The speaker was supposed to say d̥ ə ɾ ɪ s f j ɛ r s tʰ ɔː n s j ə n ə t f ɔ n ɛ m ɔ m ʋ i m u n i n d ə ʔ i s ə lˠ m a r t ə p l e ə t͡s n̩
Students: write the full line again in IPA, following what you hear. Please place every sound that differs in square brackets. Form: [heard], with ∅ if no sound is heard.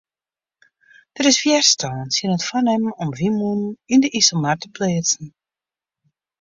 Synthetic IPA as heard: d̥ ə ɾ ɪ s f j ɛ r s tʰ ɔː n s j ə n ə t f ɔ n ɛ m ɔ m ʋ i m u n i n d ə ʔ i s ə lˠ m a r t ə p l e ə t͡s n̩